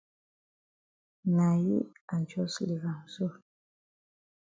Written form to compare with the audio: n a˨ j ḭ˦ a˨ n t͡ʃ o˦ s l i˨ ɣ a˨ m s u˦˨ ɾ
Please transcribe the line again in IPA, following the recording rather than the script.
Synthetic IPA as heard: n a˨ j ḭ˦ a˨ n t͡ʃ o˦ s l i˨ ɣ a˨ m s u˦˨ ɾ